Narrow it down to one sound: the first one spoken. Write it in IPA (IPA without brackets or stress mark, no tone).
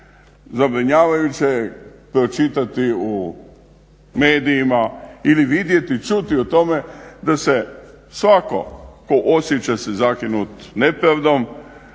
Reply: z